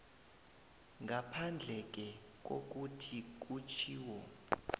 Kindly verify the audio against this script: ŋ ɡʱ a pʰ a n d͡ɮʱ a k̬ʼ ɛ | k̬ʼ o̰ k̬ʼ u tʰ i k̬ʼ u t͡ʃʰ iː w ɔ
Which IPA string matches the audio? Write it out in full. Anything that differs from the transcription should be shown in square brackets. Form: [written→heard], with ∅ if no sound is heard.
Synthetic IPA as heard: ŋ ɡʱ a pʰ a n d͡ɮʱ [a→ɛ] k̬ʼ ɛ | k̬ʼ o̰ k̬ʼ u tʰ i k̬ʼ u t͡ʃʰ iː w ɔ